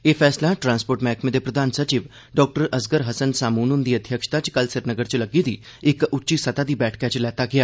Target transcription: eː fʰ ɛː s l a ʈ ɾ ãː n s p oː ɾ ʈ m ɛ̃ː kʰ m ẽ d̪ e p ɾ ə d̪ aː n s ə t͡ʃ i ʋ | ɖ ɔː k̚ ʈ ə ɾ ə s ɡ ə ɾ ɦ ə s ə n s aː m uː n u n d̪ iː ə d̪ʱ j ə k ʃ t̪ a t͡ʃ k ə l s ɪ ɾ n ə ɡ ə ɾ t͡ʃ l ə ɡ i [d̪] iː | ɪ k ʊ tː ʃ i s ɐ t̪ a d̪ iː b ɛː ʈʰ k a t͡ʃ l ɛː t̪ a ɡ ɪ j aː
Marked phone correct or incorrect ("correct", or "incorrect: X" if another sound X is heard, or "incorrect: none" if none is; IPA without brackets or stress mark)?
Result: correct